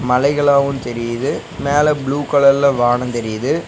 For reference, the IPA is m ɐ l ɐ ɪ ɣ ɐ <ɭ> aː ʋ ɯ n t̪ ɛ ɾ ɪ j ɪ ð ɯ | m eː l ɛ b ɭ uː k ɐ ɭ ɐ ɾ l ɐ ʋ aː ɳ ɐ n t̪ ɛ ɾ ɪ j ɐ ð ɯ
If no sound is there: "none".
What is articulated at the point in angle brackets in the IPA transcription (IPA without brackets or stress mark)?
ɭ